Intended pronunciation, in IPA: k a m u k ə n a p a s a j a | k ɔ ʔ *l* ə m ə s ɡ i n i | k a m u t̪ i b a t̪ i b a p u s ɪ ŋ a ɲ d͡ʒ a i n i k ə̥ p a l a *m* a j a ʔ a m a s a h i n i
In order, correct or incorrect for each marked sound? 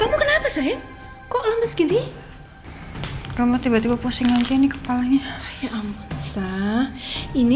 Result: correct, incorrect: ɲ

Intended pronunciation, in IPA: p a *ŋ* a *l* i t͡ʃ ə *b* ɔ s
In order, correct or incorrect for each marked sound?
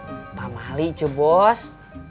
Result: incorrect: m, correct, correct

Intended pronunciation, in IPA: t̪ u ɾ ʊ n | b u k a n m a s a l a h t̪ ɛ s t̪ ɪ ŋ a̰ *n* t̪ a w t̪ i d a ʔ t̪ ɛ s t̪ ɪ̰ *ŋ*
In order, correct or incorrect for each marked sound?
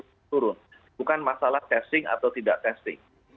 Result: incorrect: none, correct

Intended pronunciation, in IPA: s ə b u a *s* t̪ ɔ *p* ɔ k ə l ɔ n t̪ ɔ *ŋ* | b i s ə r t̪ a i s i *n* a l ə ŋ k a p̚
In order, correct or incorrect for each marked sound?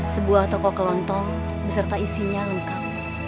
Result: incorrect: h, incorrect: k, correct, incorrect: ɲ

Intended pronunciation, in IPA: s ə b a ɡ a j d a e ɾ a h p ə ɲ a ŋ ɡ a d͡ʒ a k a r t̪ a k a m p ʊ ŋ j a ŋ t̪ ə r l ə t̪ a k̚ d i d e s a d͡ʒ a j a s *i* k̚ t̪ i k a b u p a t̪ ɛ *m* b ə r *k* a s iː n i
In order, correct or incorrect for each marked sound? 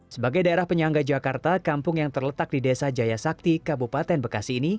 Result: incorrect: a, incorrect: n, correct

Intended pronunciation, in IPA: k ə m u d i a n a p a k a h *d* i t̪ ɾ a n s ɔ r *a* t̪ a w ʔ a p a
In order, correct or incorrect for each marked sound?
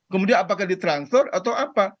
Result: correct, correct

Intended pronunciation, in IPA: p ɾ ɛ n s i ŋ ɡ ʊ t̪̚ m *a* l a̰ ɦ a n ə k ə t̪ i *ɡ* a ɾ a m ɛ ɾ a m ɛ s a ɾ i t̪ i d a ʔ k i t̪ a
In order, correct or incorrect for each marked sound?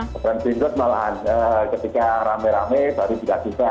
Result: correct, incorrect: k

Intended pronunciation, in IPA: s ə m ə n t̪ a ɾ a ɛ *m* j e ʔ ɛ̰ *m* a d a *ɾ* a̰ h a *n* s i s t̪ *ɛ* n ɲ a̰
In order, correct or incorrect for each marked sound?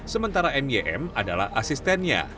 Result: correct, correct, incorrect: l, incorrect: none, correct

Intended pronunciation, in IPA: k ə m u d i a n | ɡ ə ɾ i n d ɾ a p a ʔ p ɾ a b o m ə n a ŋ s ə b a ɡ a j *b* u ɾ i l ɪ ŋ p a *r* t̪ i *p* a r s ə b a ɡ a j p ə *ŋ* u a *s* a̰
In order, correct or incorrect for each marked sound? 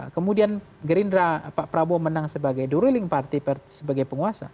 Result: incorrect: d, correct, correct, correct, correct

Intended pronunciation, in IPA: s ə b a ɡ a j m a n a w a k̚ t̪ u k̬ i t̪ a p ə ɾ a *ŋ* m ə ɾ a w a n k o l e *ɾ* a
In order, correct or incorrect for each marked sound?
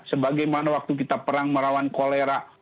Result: correct, correct

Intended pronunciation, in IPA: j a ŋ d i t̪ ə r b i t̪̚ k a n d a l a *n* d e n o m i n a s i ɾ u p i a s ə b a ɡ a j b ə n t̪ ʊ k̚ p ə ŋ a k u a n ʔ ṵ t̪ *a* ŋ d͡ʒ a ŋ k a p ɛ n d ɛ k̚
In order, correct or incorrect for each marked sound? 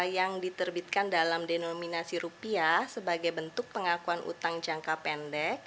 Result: incorrect: m, correct

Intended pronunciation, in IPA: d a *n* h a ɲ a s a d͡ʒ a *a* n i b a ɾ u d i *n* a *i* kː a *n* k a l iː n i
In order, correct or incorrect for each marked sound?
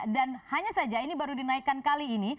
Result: correct, incorrect: i, correct, correct, correct

